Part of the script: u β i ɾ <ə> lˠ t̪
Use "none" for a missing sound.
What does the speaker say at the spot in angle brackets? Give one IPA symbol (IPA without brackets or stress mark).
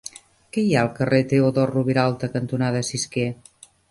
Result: a